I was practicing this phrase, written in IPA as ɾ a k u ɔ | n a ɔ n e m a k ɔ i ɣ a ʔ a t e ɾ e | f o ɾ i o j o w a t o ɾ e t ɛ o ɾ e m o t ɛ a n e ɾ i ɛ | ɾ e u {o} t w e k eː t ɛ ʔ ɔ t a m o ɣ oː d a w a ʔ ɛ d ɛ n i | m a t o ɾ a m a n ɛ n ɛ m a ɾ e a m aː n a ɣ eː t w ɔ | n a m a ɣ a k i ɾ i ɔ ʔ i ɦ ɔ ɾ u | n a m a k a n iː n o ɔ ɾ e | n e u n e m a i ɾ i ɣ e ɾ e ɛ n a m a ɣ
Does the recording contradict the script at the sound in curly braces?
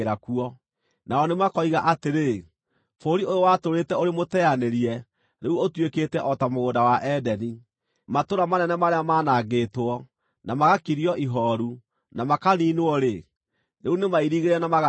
no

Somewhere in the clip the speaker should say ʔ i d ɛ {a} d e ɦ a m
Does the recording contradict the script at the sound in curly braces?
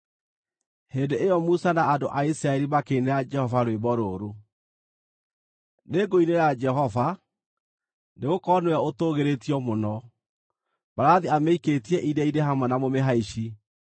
yes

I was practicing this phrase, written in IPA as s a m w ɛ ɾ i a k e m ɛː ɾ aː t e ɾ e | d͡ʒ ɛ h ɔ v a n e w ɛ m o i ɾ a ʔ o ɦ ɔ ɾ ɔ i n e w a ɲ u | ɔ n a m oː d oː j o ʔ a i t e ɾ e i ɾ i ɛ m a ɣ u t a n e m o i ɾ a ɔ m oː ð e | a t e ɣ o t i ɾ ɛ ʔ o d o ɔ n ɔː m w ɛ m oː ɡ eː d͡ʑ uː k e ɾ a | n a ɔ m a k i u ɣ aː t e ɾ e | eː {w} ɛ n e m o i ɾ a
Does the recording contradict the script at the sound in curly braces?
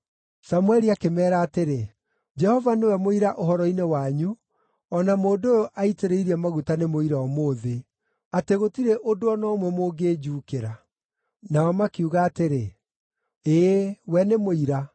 no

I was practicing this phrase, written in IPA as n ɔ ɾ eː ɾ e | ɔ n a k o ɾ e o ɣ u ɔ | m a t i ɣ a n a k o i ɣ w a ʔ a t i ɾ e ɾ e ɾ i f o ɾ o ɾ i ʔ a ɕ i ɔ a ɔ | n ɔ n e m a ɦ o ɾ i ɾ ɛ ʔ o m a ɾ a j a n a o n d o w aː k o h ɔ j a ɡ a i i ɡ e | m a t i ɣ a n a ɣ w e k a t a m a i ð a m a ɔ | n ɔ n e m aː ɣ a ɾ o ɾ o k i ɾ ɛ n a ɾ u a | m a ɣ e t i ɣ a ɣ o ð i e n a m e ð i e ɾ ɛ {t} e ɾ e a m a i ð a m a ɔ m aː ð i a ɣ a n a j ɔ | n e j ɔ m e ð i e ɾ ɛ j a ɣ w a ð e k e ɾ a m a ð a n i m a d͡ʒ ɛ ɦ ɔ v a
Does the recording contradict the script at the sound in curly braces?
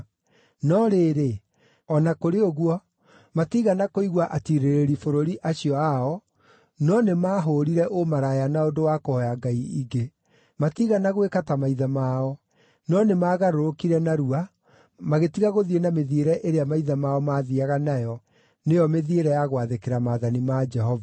yes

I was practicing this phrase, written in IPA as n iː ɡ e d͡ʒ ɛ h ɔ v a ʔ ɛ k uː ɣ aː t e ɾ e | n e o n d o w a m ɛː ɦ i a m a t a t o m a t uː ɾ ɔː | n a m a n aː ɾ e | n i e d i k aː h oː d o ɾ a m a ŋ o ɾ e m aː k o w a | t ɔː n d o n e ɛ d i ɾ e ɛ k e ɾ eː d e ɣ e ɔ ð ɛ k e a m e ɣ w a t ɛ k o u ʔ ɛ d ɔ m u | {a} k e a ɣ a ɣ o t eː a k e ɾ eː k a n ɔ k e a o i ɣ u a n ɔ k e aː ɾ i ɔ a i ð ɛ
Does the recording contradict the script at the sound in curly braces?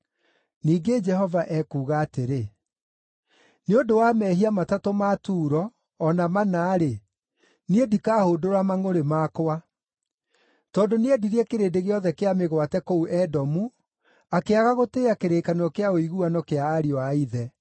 no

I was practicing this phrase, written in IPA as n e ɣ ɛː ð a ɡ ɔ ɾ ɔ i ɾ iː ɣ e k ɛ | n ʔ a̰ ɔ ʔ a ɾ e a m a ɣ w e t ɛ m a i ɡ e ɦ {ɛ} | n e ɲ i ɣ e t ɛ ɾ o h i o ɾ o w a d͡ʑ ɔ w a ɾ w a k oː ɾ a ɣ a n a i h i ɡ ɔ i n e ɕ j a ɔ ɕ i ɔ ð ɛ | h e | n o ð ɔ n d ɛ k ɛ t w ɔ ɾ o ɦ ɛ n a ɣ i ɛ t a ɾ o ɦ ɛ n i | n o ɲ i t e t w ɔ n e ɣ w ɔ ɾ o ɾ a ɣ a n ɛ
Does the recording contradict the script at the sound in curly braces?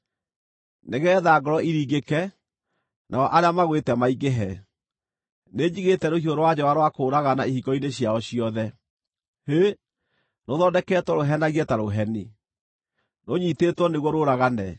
no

